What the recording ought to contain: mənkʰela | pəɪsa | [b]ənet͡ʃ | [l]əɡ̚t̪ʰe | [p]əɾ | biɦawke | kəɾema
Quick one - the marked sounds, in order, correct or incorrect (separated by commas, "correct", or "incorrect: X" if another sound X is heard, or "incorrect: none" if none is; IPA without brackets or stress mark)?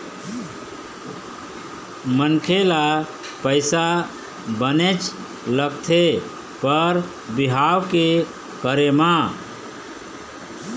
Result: correct, correct, correct